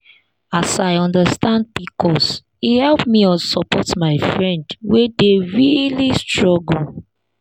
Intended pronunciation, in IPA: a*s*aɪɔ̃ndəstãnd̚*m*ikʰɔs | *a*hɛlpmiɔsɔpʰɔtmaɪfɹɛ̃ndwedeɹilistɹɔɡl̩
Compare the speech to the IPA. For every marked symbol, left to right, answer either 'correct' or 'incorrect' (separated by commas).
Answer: correct, incorrect, incorrect